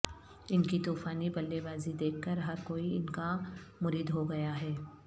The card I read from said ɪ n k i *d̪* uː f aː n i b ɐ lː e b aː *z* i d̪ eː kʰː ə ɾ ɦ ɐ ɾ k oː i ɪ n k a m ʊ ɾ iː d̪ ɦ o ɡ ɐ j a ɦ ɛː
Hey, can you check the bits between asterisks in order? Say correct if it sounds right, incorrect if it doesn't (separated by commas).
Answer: incorrect, correct